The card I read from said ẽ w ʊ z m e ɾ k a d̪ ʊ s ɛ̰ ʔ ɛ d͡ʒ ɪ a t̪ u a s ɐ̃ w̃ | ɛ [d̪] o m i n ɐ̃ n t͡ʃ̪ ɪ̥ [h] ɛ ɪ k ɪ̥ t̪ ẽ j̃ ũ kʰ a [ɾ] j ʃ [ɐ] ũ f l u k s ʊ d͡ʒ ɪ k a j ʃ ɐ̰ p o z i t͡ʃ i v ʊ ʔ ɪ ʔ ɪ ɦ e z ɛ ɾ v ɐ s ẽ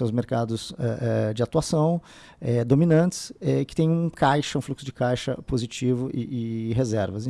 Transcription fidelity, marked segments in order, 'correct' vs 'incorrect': correct, incorrect: s, incorrect: none, correct

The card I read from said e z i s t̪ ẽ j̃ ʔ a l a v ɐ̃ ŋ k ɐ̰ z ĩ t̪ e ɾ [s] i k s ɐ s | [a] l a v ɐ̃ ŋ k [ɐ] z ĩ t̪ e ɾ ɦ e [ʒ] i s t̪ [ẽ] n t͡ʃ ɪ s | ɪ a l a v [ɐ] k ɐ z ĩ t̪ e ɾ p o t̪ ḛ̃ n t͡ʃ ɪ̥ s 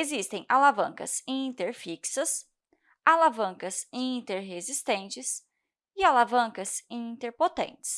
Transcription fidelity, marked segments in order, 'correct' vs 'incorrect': incorrect: f, correct, correct, incorrect: z, correct, incorrect: ɐ̃

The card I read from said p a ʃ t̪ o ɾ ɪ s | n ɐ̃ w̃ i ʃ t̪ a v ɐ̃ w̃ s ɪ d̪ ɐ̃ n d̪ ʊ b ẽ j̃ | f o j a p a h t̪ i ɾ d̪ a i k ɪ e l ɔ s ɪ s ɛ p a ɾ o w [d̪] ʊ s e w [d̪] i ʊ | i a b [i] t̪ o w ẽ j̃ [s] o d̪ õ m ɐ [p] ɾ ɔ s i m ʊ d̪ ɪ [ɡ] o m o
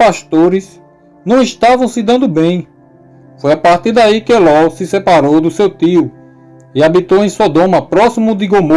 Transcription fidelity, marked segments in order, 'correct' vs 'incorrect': correct, incorrect: t̪, correct, correct, correct, correct

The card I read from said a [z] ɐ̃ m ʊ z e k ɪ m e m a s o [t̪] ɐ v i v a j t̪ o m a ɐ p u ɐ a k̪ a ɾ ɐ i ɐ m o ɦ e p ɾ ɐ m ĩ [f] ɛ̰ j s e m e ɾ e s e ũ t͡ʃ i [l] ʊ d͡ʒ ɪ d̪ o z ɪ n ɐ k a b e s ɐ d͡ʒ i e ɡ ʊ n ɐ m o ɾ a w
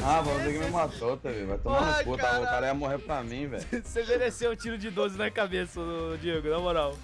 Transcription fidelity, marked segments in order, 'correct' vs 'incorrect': incorrect: v, correct, incorrect: v, incorrect: ɾ

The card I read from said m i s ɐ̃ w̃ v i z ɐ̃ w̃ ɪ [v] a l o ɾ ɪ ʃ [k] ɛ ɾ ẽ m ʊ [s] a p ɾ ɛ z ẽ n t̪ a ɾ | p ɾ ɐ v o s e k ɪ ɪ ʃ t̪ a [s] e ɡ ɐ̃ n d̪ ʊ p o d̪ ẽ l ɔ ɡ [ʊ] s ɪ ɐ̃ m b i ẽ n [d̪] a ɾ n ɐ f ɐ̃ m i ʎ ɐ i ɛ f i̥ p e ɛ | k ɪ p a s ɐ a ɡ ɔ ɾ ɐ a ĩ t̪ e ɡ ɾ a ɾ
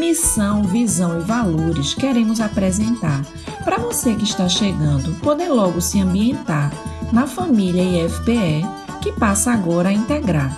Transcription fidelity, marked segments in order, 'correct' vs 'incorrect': correct, correct, incorrect: z, incorrect: ʃ, correct, incorrect: t̪

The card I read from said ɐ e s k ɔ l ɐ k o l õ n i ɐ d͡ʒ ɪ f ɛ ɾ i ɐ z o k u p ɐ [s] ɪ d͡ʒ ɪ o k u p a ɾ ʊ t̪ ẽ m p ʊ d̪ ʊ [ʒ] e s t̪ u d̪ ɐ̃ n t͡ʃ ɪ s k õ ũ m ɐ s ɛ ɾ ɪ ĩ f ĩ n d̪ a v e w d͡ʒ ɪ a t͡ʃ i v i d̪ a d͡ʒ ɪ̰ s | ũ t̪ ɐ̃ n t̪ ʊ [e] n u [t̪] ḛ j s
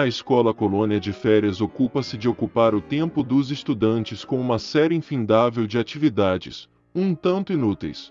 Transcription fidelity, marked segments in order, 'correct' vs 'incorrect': correct, incorrect: z, incorrect: i, correct

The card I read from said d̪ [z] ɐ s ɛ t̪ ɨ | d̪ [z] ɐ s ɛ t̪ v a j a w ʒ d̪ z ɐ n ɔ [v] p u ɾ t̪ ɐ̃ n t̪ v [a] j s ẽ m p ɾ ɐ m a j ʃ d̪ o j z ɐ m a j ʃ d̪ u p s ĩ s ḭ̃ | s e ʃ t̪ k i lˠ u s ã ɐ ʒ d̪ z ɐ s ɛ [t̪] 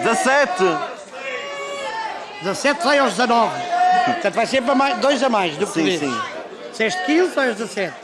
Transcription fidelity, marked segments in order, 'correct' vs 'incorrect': correct, correct, correct, correct, correct

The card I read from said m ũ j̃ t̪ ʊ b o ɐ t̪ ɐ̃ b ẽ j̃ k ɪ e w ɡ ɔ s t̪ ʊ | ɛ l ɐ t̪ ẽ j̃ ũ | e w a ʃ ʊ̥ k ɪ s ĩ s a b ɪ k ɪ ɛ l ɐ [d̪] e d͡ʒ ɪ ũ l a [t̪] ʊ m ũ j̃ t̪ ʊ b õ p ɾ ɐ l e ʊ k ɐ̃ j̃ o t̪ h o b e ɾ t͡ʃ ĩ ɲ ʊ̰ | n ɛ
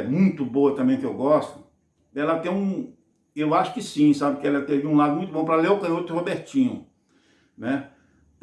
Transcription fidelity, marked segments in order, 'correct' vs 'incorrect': incorrect: t̪, incorrect: d̪

